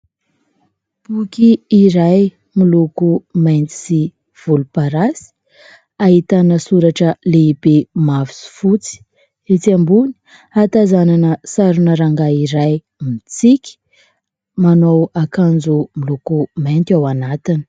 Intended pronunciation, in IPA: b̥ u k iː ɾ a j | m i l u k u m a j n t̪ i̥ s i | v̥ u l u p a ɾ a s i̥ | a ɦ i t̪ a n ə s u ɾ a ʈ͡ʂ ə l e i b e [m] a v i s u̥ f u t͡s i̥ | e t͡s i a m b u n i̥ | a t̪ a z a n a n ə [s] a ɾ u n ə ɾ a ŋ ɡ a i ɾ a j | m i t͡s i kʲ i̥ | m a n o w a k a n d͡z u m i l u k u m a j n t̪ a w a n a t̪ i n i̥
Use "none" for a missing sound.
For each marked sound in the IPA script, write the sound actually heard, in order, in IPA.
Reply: m, s

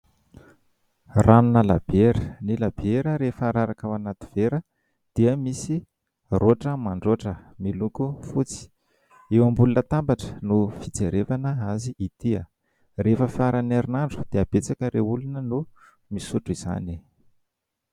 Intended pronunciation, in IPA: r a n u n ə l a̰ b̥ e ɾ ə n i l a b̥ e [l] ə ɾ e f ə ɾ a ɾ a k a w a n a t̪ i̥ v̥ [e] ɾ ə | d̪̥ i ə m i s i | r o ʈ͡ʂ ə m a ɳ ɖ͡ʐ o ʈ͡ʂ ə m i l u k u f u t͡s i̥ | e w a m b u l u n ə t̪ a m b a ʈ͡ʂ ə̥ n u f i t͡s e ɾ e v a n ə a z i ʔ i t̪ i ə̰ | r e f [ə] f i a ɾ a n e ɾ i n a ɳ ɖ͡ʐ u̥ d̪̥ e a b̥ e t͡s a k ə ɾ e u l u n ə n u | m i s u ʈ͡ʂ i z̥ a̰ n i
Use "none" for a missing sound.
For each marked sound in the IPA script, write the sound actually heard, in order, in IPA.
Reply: ɾ, e, ə

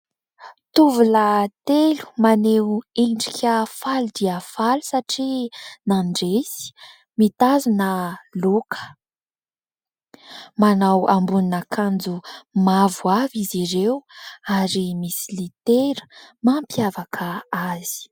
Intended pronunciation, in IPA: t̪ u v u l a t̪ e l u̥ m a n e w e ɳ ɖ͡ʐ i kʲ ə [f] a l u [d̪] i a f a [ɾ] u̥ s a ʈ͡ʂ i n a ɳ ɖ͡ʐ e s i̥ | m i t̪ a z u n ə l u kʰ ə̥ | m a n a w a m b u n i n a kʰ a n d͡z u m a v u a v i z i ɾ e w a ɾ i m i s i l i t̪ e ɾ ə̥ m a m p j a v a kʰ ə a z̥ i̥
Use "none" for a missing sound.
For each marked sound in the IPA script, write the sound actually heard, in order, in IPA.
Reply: f, d̪, l

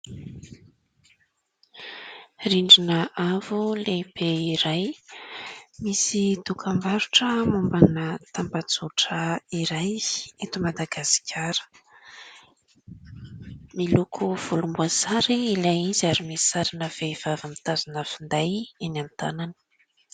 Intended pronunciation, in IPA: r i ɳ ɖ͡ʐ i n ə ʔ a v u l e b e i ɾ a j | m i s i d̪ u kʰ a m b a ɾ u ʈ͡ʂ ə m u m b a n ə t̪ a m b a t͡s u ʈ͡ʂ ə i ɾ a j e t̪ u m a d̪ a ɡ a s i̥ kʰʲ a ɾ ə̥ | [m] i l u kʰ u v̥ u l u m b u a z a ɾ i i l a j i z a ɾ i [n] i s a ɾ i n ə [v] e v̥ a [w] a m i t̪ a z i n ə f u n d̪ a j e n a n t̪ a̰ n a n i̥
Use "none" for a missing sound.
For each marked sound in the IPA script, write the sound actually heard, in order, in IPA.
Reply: m, m, v, v

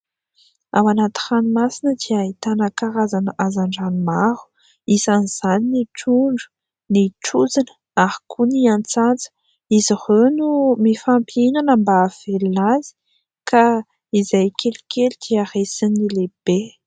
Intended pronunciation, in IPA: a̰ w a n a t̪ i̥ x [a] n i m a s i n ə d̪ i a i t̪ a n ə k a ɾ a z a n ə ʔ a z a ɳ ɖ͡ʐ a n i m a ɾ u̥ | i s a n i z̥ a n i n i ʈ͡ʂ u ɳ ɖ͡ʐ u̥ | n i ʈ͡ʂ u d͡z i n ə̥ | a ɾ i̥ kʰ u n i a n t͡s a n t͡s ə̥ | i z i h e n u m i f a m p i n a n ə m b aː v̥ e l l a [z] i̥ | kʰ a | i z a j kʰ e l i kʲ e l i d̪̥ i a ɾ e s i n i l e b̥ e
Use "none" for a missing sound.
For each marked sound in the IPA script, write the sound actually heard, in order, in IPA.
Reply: a, z

